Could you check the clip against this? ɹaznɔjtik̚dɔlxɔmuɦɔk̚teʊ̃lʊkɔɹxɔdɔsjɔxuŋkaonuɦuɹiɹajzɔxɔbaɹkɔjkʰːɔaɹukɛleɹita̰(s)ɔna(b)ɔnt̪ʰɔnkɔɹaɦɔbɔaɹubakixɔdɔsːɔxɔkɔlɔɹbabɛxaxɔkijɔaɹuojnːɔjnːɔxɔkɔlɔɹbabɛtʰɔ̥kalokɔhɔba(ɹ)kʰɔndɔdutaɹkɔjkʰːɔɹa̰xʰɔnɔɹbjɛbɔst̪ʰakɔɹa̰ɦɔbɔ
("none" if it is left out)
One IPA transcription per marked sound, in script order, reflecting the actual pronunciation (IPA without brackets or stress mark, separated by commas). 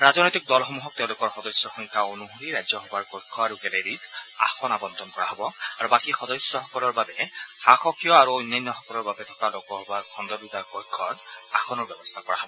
x, b, ɹ